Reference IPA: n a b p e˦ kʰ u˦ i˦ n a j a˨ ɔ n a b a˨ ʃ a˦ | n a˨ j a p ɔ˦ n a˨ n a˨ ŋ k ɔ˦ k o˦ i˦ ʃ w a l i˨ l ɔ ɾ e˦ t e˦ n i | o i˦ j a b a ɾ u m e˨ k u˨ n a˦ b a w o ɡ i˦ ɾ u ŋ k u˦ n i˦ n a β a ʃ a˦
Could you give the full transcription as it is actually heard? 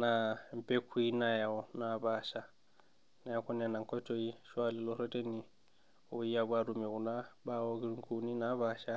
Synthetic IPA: n a m p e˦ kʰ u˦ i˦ n a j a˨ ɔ n a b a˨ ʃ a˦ | n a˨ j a k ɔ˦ n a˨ n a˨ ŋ k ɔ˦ t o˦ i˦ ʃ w a l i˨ l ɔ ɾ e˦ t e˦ n i | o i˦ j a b a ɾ u m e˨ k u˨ n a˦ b a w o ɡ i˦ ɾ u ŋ k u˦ n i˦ n a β a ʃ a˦